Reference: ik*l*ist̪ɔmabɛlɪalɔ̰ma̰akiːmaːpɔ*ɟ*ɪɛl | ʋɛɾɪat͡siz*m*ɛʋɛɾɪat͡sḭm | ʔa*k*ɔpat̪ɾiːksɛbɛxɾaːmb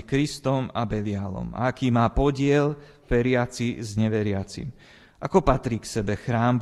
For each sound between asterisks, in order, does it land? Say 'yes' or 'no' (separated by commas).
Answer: no, yes, no, yes